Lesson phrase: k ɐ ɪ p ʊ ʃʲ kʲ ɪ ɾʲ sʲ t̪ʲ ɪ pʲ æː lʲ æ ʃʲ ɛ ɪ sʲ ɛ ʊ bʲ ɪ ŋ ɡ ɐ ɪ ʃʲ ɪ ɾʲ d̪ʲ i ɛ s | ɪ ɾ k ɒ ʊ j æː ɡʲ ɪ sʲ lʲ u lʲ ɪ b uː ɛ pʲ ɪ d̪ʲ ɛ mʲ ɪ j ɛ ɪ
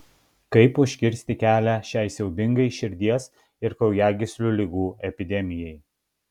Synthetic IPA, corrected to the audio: k ɐ ɪ p ʊ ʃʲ kʲ ɪ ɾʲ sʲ t̪ʲ ɪ kʲ æː lʲ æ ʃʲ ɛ ɪ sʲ ɛ ʊ bʲ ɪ ŋ ɡ ɐ ɪ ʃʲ ɪ ɾʲ d̪ʲ i ɛ s | ɪ ɾ k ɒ ʊ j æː ɡʲ ɪ sʲ lʲ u lʲ ɪ ɡ uː ɛ pʲ ɪ d̪ʲ ɛ mʲ ɪ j ɛ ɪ